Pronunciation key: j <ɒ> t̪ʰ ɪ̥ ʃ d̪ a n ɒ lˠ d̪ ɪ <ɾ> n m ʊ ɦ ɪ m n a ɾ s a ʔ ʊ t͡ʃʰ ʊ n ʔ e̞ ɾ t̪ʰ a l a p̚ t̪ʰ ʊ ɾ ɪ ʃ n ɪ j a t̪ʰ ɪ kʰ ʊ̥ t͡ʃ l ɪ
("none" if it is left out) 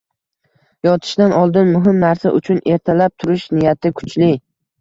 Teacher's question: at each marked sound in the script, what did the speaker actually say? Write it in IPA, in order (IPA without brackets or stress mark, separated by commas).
ɒ, none